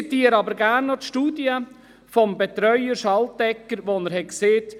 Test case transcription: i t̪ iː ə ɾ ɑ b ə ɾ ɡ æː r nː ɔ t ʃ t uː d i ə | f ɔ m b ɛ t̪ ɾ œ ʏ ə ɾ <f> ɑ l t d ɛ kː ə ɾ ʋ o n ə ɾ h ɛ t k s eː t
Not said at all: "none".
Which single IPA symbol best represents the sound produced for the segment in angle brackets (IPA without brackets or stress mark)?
ʃ